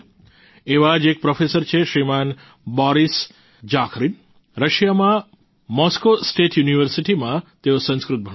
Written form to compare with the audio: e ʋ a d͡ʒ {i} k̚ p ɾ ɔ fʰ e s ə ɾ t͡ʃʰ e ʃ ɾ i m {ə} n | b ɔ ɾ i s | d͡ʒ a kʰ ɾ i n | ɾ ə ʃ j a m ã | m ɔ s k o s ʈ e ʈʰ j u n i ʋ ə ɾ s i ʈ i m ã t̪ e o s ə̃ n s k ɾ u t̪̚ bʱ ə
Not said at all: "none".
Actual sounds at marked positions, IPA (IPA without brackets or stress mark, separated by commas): e, a